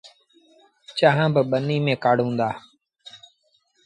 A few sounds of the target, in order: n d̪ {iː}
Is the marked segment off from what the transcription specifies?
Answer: yes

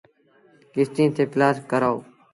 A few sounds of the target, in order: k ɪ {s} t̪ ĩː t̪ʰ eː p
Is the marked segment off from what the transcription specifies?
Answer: no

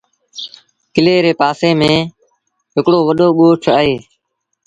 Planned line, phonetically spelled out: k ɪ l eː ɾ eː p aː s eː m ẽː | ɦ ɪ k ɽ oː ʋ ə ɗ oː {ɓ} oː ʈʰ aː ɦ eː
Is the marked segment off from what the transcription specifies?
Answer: no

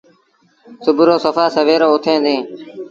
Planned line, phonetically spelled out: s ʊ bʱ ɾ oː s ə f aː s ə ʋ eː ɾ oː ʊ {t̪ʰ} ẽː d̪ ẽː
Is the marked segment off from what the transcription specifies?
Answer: no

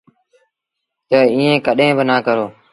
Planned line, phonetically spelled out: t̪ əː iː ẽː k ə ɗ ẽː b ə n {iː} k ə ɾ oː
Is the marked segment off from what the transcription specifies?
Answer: yes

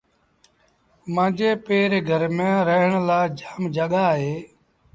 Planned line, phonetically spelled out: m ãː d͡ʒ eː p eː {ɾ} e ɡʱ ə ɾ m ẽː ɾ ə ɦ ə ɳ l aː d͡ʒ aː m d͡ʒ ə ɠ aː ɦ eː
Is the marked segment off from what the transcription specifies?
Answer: no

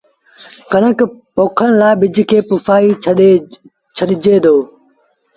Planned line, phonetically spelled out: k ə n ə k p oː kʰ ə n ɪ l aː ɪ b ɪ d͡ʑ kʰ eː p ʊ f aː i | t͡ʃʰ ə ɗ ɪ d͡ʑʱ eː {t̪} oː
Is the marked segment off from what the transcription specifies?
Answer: yes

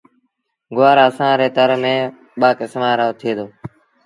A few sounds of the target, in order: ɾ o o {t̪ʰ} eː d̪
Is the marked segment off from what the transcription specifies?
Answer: no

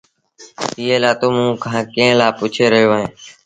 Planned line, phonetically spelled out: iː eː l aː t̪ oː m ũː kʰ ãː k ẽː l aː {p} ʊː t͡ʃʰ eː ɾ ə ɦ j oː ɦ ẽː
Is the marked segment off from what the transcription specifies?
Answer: no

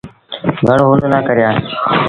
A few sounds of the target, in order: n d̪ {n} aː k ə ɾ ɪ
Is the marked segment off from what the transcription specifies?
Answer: no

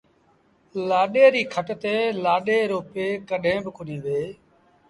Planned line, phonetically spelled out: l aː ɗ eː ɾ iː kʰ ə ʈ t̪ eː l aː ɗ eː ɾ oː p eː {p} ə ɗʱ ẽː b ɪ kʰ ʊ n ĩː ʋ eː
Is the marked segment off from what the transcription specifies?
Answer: yes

